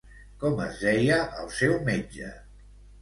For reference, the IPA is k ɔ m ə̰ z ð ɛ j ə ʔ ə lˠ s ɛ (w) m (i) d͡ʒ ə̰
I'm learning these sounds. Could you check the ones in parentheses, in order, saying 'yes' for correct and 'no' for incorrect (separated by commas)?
yes, no